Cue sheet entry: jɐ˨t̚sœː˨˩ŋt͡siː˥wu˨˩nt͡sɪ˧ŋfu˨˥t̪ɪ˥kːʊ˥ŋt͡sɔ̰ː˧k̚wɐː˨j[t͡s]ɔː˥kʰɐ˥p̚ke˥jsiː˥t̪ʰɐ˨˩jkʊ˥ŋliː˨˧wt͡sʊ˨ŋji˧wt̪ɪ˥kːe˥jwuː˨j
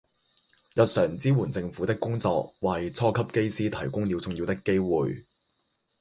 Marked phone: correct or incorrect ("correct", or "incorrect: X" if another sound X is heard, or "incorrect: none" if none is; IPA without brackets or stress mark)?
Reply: incorrect: t͡sʰ